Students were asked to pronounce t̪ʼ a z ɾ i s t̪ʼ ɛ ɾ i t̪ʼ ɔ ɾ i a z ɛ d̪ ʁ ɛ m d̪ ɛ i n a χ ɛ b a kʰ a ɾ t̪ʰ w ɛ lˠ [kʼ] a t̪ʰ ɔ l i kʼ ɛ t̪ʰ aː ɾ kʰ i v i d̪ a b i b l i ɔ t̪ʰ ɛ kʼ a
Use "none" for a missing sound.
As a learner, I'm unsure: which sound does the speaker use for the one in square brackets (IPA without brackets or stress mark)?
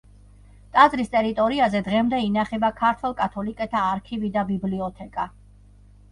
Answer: kʼ